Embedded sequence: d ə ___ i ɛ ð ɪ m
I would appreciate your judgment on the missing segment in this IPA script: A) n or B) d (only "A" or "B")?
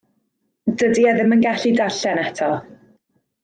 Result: B